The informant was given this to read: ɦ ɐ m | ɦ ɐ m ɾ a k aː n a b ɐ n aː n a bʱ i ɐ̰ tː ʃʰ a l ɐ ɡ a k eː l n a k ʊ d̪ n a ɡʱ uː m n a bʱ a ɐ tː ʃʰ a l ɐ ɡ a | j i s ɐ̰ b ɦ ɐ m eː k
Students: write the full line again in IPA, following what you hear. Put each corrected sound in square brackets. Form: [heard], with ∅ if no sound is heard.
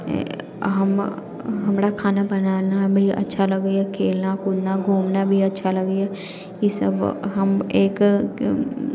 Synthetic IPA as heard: ɦ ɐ m | ɦ ɐ m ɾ a [kʰ] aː n a b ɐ n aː n a bʱ i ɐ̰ tː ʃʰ a l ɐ ɡ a [kʰ] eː l n a k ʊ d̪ n a ɡʱ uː m n a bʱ [i] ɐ tː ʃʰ a l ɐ ɡ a | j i s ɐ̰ b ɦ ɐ m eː k